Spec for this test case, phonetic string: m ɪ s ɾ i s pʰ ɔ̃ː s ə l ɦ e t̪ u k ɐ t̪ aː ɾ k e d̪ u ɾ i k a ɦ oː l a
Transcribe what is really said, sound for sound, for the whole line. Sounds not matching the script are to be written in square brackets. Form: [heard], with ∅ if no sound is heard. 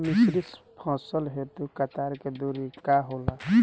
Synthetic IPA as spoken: m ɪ s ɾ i s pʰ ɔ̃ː s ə l ɦ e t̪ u k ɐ t̪ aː ɾ k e d̪ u ɾ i k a ɦ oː l a